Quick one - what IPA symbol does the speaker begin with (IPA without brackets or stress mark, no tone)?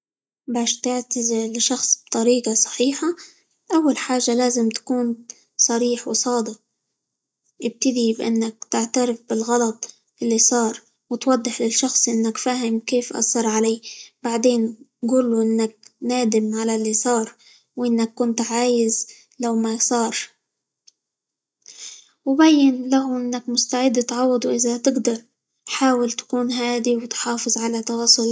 b